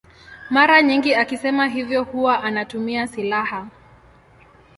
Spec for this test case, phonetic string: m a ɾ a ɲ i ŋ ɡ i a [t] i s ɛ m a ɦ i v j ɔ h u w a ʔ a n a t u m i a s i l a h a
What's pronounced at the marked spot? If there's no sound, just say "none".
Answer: k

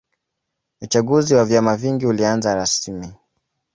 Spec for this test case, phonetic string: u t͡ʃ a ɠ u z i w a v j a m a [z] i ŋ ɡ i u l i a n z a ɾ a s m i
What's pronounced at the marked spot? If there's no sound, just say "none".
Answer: v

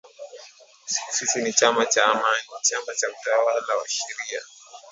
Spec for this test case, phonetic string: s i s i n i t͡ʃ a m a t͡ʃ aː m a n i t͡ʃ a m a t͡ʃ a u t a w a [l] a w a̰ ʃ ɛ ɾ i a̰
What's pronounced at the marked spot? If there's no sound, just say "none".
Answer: l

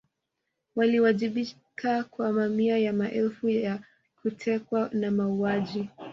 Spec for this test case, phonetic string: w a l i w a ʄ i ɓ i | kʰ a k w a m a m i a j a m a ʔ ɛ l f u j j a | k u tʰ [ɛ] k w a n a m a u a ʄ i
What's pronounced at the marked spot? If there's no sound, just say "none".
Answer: ɛ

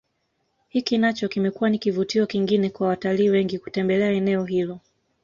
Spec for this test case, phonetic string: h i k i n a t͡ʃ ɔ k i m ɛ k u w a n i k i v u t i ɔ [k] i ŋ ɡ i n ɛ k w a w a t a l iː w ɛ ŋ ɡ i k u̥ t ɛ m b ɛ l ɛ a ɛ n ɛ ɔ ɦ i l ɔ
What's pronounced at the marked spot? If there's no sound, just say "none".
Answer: k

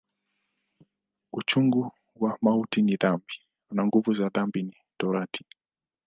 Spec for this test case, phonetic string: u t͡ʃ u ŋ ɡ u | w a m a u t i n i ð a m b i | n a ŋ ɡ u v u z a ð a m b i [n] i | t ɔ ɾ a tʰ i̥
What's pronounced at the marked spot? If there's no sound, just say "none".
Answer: n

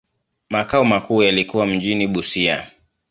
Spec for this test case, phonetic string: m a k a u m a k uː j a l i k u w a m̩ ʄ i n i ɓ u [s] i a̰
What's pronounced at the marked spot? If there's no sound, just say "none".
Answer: s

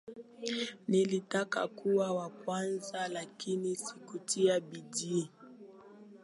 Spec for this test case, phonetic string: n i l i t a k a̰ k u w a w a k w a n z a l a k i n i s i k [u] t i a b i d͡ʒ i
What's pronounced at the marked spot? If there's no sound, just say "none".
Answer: u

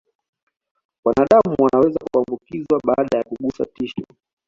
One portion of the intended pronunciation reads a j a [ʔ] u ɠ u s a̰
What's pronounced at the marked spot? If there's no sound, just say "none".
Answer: k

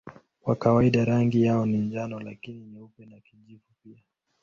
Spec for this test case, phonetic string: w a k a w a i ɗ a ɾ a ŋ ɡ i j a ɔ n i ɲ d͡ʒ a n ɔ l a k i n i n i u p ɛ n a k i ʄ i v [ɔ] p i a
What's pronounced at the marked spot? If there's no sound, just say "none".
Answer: u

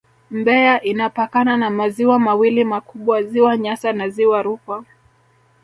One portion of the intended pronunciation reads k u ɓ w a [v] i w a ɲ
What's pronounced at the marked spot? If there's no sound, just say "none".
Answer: z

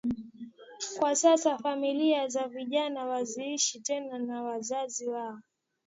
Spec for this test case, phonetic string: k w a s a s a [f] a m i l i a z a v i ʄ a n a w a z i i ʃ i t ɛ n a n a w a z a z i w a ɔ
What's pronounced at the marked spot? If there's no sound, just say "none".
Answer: f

